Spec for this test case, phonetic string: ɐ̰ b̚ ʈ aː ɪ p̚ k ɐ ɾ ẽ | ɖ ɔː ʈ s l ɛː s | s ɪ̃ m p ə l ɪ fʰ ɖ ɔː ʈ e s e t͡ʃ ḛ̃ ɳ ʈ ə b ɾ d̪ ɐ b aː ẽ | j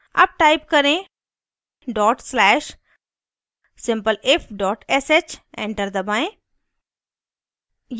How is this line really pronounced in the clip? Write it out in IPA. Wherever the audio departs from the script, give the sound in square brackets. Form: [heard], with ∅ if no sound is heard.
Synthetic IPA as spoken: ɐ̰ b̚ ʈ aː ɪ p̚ k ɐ ɾ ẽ | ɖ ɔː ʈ s l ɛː [ʃ] | s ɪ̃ m p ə l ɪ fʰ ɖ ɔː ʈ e s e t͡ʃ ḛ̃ ɳ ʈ ə [∅] ɾ d̪ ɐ b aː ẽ | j